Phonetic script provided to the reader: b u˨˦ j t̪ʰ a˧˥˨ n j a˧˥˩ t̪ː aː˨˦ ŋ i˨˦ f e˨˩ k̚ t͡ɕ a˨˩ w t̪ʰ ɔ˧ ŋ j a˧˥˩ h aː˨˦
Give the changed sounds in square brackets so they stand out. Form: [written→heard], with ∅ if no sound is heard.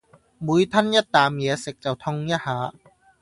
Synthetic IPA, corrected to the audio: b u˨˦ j t̪ʰ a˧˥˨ n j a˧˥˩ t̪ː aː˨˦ [ŋ→m] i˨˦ [f→s] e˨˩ k̚ t͡ɕ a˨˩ w t̪ʰ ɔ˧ ŋ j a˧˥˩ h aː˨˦

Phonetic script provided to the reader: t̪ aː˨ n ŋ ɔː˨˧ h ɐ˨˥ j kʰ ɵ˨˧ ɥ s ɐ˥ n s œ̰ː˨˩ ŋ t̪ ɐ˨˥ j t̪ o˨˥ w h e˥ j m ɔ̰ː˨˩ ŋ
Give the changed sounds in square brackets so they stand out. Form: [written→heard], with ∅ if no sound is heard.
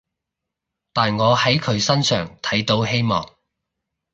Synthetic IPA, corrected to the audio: t̪ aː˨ n ŋ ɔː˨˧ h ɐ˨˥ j kʰ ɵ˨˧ ɥ s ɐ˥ n s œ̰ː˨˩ ŋ [t̪→t̪ʰ] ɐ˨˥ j t̪ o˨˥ w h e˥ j m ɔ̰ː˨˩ ŋ

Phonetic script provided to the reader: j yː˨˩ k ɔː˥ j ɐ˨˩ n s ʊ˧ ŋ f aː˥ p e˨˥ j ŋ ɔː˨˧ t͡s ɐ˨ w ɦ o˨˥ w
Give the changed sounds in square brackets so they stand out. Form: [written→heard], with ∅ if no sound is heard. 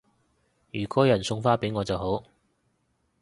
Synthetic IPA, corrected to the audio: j yː˨˩ k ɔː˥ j ɐ˨˩ n s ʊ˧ ŋ f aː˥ p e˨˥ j ŋ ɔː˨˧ t͡s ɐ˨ w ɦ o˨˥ w

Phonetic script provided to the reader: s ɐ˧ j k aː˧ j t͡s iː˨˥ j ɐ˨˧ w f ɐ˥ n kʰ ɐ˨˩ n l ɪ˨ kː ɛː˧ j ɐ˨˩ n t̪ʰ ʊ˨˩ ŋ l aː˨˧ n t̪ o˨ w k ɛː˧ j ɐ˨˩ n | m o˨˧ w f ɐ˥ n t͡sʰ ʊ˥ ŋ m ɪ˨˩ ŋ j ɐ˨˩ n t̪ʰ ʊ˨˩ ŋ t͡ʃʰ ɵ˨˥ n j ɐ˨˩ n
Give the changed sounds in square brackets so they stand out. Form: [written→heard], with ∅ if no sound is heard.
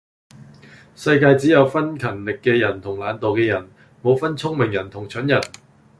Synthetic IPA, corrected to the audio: s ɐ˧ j k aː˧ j t͡s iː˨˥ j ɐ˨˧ w f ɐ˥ n kʰ ɐ˨˩ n l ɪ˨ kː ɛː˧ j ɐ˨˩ n t̪ʰ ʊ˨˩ ŋ l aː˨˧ n t̪ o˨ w k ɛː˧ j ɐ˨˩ n | m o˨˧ w f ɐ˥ n t͡sʰ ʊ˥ ŋ m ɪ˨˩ ŋ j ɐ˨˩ n t̪ʰ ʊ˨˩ ŋ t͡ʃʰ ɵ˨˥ n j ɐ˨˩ n

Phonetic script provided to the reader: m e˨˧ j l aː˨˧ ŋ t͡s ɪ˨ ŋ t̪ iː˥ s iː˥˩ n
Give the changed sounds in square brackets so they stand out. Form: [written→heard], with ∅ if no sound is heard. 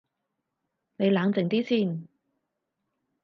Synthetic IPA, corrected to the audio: [m→n] e˨˧ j l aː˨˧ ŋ t͡s ɪ˨ ŋ t̪ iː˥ s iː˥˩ n

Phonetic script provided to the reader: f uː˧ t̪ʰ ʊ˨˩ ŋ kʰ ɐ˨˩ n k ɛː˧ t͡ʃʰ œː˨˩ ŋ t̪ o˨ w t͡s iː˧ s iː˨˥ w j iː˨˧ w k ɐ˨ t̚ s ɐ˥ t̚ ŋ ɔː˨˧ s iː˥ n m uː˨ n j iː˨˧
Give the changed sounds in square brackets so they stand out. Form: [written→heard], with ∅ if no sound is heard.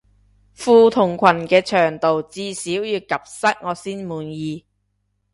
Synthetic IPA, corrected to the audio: f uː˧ t̪ʰ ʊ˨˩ ŋ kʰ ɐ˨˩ n k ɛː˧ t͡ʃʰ œː˨˩ ŋ t̪ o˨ w t͡s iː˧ s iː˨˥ w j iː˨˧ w k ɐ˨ [t̚→p̚] s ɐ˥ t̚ ŋ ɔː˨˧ s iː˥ n m uː˨ n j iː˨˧

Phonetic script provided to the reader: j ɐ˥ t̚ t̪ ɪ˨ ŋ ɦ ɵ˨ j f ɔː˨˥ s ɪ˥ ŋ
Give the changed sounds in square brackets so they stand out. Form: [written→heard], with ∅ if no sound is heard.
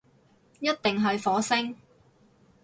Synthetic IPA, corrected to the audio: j ɐ˥ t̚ t̪ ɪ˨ ŋ ɦ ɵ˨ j f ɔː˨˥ s ɪ˥ ŋ

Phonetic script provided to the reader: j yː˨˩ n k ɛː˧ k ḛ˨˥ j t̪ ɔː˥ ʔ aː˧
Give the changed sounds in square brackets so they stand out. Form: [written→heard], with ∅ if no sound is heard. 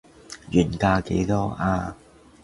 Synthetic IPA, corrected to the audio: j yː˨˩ n k [ɛː˧→aː˧] k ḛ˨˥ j t̪ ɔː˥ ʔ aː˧

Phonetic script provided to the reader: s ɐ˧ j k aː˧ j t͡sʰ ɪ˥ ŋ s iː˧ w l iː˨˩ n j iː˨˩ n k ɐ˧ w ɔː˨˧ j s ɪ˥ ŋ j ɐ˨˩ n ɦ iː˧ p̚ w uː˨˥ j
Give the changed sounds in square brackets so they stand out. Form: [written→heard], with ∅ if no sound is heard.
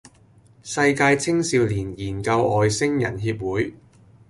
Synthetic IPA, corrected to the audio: s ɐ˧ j k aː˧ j t͡sʰ ɪ˥ ŋ s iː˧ w l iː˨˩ n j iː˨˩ n k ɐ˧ w ɔː˨˧ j s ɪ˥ ŋ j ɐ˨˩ n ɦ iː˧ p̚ w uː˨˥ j

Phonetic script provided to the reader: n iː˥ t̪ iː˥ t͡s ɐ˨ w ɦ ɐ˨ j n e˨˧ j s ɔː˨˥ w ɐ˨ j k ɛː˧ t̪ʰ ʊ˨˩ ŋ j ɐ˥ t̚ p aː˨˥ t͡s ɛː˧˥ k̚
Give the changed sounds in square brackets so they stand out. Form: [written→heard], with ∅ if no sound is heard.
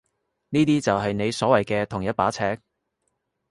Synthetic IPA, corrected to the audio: n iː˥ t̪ iː˥ t͡s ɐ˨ w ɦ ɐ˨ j n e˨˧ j s ɔː˨˥ w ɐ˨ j k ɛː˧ t̪ʰ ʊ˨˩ ŋ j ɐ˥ t̚ p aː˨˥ [t͡s→t͡sʰ] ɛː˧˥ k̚

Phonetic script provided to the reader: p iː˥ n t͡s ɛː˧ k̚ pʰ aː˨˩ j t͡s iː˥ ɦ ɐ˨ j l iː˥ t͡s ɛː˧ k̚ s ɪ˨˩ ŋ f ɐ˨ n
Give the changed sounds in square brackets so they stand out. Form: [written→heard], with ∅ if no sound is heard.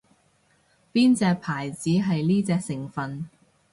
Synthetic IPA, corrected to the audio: p iː˥ n t͡s ɛː˧ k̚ pʰ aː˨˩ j t͡s [iː˥→iː˨˥] ɦ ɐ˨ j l iː˥ t͡s ɛː˧ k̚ s ɪ˨˩ ŋ f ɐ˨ n

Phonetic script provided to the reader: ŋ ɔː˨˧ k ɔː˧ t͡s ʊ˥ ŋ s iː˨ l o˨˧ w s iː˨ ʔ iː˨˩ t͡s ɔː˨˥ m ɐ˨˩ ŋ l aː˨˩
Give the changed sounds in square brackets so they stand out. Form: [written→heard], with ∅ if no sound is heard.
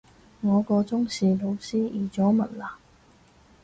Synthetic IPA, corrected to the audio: ŋ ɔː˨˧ k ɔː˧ t͡s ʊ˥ ŋ s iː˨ l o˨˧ w s [iː˨→iː˥] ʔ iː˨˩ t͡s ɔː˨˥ m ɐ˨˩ [ŋ→n] l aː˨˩

